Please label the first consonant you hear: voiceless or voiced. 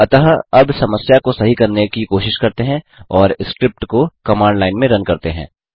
voiceless